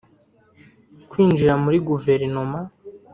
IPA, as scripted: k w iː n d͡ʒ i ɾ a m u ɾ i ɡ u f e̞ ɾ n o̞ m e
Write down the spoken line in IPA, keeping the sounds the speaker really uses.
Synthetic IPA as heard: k w iː n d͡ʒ i ɾ a m u ɾ i ɡ u v e̞ ɾ n o̞ m a